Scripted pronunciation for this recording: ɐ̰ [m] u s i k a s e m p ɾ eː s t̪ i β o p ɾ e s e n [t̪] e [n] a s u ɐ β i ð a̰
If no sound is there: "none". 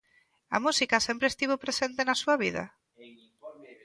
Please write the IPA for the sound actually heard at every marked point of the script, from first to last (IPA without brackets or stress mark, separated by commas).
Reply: m, t̪, n